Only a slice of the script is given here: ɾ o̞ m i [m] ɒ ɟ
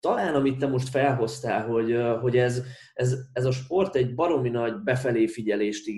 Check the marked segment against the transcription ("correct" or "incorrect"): incorrect